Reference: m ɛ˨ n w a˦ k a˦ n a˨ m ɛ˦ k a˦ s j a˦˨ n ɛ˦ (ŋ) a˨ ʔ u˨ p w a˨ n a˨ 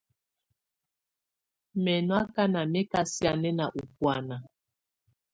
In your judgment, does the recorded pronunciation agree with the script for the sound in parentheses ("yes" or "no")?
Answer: no